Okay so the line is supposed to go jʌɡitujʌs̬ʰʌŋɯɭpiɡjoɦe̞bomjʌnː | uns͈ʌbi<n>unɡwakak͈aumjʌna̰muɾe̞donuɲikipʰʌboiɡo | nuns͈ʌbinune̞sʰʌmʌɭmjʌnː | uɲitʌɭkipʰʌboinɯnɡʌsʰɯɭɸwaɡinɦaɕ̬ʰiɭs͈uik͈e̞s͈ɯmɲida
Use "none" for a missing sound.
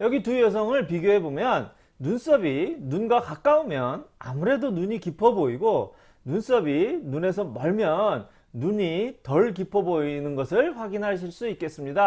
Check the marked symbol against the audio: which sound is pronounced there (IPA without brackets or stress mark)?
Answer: n